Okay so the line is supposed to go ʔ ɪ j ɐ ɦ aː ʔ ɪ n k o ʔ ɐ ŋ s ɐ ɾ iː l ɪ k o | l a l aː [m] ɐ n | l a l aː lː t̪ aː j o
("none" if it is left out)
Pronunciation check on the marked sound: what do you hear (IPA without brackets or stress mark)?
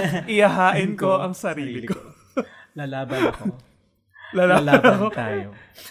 b